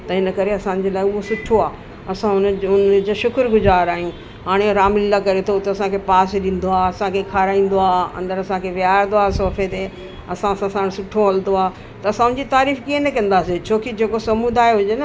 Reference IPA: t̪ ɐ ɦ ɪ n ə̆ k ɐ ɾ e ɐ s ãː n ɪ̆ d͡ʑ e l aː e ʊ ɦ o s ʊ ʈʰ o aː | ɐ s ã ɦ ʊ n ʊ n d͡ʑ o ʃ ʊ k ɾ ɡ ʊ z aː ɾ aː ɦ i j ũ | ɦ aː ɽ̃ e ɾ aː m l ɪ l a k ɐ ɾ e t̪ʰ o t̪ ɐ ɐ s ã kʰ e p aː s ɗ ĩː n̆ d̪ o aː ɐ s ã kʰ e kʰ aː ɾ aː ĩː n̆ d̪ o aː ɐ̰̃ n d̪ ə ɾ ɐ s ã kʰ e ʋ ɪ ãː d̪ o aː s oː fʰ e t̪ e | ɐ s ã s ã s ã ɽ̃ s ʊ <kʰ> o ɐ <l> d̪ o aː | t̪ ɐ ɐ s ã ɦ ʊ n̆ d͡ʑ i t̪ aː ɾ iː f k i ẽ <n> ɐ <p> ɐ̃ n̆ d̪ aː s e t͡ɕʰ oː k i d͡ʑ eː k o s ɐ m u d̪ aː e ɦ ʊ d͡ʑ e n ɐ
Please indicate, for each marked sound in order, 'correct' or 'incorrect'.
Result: incorrect, correct, correct, incorrect

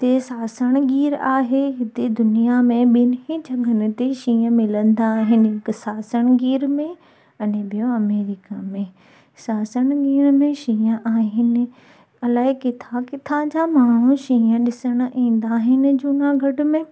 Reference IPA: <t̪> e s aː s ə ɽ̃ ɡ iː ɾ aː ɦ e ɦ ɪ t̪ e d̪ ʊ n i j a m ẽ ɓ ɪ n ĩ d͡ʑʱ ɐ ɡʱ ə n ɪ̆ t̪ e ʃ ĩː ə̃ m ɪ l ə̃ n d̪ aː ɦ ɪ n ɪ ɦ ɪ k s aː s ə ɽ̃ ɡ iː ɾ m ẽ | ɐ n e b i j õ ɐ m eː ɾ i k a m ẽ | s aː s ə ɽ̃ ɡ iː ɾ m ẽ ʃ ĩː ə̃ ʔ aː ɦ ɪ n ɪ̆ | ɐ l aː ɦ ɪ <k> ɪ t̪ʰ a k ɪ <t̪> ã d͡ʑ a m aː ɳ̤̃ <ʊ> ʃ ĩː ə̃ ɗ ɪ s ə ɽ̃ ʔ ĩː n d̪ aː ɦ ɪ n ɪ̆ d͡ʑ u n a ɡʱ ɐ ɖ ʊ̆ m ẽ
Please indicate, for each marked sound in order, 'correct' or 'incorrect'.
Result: correct, correct, incorrect, incorrect

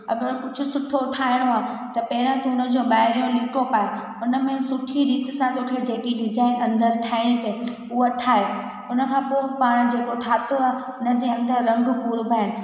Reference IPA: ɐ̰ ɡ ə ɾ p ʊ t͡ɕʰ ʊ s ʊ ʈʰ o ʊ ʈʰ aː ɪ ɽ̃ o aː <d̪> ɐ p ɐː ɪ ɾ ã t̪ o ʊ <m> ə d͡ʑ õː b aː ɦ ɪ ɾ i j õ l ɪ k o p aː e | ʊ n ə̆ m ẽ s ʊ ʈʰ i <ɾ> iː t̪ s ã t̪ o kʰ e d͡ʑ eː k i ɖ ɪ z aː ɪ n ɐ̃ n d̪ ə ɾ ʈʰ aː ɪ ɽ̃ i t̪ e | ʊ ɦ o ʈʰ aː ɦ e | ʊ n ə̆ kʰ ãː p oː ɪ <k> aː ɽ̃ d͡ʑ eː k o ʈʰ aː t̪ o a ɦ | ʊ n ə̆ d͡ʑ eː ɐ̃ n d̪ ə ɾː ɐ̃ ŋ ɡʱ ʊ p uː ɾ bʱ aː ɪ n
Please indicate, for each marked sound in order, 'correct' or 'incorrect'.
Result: incorrect, incorrect, correct, incorrect

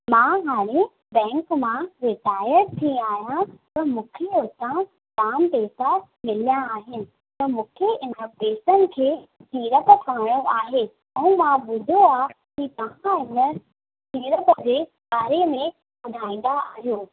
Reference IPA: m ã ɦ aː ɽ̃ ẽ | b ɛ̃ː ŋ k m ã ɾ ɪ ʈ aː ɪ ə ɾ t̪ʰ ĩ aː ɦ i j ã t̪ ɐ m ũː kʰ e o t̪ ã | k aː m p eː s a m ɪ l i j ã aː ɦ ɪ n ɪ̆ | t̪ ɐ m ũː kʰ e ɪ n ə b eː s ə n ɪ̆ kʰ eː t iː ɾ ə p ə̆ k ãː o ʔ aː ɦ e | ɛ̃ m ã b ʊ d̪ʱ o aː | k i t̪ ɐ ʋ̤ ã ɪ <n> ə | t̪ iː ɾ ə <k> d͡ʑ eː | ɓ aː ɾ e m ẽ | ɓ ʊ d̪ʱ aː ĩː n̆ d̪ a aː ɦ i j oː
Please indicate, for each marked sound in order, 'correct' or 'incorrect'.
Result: correct, incorrect

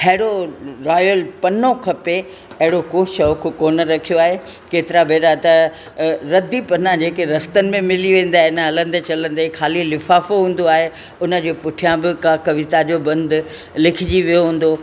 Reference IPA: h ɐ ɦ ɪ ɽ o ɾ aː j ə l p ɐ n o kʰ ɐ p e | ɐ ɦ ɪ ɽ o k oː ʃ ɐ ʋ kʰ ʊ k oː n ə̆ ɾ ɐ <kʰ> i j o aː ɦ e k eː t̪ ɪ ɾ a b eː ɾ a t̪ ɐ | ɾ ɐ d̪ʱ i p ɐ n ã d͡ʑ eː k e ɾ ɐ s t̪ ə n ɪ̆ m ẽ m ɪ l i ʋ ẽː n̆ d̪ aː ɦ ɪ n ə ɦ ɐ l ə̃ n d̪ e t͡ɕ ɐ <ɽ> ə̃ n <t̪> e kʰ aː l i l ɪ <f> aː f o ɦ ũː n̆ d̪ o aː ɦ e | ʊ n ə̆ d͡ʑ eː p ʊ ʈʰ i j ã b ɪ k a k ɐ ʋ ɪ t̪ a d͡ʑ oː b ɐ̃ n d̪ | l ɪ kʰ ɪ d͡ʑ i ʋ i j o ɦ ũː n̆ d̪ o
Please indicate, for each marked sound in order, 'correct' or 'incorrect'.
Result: correct, incorrect, incorrect, correct

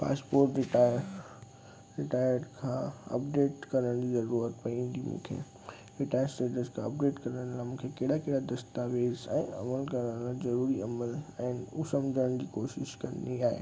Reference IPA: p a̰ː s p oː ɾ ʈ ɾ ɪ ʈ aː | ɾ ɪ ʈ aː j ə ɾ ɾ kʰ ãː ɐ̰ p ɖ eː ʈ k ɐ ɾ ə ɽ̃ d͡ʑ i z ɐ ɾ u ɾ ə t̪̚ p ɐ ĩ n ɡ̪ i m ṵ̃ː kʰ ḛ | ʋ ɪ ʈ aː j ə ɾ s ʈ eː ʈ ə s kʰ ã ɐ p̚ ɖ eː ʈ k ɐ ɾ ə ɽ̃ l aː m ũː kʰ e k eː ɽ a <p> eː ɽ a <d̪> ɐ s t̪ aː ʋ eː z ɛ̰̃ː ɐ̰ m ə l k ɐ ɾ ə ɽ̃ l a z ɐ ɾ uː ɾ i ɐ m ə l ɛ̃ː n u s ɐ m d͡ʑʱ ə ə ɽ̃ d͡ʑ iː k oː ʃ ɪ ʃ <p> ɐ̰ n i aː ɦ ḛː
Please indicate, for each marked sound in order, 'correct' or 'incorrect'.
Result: incorrect, correct, incorrect

